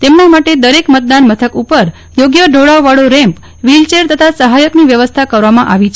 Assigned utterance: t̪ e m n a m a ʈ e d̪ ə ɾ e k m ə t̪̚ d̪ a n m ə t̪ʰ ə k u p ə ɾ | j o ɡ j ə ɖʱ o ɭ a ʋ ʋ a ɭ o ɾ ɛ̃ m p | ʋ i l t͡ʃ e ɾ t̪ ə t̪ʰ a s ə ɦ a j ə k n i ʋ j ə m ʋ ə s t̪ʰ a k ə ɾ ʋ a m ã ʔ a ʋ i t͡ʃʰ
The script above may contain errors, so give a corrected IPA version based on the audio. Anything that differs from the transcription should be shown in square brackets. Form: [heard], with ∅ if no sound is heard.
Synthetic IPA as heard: t̪ e m n a m a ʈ e d̪ ə ɾ e k m ə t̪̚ d̪ a n m ə t̪ʰ ə k u p ə ɾ | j o ɡ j ə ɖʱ o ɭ a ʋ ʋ a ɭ o ɾ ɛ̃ m p | ʋ i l t͡ʃ e ɾ t̪ ə t̪ʰ a s ə ɦ a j ə k n i ʋ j ə [∅] ʋ ə s t̪ʰ a k ə ɾ ʋ a m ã ʔ a ʋ i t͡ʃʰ